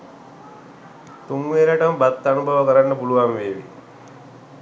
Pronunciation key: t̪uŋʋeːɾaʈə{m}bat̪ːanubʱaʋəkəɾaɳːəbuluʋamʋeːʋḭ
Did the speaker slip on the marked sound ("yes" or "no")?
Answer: no